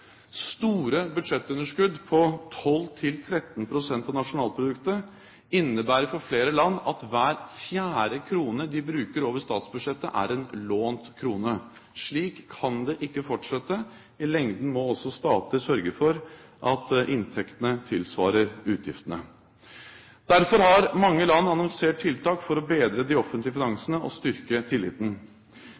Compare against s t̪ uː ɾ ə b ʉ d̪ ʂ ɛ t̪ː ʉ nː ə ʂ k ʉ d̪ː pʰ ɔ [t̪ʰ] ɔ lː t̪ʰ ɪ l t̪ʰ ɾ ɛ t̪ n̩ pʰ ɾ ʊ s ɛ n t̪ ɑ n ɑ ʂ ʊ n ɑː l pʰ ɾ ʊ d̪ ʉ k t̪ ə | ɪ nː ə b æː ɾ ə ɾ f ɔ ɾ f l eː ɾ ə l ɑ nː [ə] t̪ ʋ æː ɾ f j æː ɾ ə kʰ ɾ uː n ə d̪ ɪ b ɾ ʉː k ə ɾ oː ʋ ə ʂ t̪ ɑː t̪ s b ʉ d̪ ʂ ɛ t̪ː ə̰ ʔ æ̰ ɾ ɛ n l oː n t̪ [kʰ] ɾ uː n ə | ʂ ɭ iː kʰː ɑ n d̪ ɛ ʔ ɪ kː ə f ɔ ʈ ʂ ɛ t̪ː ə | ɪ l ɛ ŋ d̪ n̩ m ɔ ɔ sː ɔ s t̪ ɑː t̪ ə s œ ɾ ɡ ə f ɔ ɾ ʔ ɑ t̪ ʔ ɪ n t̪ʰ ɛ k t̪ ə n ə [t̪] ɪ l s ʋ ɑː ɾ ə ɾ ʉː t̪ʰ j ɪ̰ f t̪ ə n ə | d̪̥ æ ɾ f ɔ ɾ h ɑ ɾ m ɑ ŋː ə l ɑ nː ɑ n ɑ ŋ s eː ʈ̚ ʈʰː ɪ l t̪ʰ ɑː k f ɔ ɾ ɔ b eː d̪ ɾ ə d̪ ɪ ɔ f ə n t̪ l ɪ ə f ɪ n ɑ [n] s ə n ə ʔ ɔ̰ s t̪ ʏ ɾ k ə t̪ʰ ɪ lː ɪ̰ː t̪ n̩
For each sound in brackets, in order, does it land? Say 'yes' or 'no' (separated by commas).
yes, no, yes, no, no